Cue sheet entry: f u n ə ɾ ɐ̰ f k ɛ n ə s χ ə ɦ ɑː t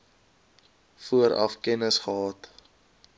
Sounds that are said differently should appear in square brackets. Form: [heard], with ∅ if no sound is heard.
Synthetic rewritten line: f u [∅] ə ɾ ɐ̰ f k ɛ n ə s χ ə ɦ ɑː t